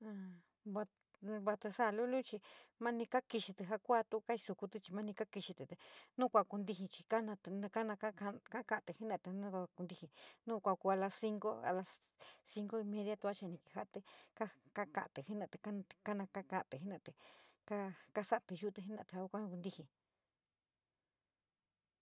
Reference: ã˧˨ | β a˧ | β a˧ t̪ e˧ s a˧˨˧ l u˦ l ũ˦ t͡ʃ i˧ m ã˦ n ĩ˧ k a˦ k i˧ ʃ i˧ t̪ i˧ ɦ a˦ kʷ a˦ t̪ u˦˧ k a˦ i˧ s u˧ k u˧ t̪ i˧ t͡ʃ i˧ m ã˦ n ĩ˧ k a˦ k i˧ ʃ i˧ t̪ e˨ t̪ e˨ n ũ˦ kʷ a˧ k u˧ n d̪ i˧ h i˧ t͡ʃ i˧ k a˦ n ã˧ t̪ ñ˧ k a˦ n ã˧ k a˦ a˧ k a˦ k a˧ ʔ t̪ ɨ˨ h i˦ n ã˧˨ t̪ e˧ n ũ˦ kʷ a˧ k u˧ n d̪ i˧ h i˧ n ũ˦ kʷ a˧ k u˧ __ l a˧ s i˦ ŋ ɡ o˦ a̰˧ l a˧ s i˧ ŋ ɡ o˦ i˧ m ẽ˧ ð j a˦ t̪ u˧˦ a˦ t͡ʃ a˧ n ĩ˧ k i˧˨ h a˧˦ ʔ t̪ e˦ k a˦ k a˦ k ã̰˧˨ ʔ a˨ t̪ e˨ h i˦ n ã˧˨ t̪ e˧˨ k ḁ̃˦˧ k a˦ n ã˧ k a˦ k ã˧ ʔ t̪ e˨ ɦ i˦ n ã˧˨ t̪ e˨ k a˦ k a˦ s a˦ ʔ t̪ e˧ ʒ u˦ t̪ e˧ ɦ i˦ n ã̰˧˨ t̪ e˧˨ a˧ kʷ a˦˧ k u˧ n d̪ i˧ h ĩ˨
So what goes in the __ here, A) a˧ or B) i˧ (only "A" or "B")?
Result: A